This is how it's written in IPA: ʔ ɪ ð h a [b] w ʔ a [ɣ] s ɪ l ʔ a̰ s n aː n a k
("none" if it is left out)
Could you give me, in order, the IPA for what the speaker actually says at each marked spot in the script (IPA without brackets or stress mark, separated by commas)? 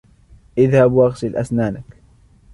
b, ɣ